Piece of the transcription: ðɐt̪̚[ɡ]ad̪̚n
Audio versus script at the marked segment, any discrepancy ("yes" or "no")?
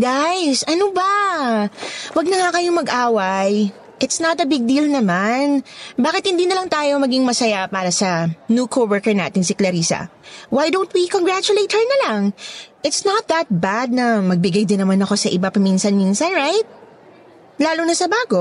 yes